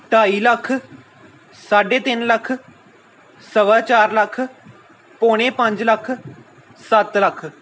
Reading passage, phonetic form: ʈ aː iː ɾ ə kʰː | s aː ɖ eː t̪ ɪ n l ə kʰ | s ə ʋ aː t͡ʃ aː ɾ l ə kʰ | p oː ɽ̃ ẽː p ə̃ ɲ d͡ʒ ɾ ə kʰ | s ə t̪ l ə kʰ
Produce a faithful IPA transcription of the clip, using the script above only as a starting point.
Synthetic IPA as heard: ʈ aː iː l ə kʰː | s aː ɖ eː t̪ ɪ n l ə kʰ | s ə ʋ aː t͡ʃ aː ɾ l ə kʰ | p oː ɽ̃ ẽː p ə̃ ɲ d͡ʒ l ə kʰ | s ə t̪ l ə kʰ